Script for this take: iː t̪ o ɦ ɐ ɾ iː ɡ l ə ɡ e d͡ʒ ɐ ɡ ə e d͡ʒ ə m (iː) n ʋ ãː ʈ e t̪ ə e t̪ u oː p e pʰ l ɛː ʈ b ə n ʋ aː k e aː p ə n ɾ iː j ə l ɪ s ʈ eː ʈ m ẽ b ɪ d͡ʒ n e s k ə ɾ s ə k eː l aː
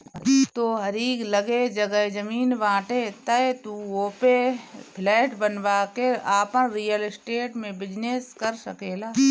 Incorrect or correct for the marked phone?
correct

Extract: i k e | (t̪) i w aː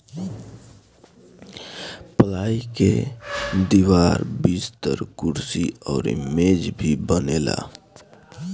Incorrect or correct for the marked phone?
incorrect: d̪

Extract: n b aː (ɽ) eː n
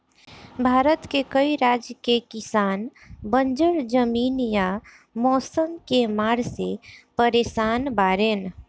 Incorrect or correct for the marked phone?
incorrect: ɾ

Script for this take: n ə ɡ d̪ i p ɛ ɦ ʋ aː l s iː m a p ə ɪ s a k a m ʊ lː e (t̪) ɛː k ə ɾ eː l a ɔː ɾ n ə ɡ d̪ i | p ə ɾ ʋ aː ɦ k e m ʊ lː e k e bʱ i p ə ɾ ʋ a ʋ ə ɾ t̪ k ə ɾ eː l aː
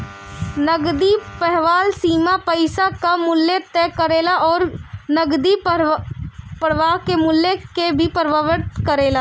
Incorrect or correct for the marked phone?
correct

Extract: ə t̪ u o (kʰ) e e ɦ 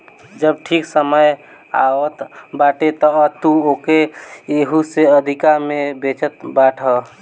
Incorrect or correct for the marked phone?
incorrect: k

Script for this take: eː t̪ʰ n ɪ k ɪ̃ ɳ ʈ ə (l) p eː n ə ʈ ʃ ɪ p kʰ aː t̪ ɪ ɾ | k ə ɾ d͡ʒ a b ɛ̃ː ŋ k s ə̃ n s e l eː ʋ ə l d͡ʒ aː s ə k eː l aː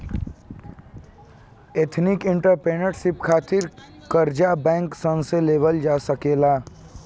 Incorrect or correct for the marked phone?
incorrect: ɾ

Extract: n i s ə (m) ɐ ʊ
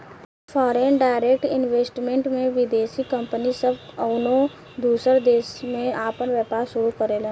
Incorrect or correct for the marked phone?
incorrect: b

